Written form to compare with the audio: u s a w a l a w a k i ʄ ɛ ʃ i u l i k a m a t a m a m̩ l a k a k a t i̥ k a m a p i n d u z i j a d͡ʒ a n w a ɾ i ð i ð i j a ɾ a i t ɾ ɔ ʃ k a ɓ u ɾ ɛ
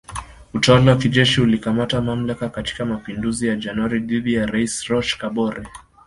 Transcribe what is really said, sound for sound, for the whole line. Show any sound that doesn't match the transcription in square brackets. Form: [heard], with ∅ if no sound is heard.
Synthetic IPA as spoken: u [t] a w a l a w a k i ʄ ɛ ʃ i u l i k a m a t a m a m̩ l a k a k a t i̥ k a m a p i n d u z i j a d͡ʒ a n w a ɾ i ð i ð i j a ɾ a i [s] ɾ ɔ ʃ k a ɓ [ɔ] ɾ ɛ